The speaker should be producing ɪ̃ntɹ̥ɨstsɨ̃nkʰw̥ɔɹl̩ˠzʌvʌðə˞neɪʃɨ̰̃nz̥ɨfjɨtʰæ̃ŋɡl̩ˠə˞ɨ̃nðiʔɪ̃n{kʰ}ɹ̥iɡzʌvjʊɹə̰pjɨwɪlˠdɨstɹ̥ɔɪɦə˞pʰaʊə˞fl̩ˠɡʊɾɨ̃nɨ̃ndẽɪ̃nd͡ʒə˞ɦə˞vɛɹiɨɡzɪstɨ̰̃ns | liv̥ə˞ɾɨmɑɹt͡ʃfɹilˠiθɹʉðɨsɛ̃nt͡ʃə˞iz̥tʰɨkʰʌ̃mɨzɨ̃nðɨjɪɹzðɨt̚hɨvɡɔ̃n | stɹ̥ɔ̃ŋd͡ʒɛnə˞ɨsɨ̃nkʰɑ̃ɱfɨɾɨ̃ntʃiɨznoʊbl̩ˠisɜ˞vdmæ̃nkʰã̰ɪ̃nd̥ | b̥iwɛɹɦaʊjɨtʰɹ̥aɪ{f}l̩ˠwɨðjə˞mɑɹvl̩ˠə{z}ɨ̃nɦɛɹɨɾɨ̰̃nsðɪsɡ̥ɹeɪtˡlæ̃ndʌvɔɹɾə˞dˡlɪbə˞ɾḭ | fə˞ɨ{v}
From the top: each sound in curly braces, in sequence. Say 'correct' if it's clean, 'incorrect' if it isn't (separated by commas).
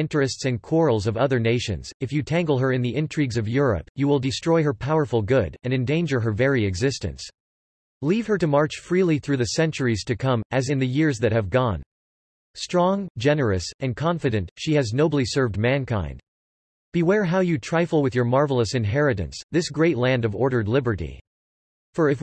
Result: incorrect, correct, incorrect, incorrect